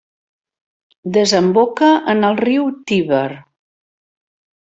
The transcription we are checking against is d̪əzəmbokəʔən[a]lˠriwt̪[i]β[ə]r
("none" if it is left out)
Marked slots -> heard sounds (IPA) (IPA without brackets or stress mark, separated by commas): ə, i, ə